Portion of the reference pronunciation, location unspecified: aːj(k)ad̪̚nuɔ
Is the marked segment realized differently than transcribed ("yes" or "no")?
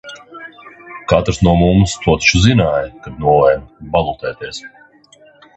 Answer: no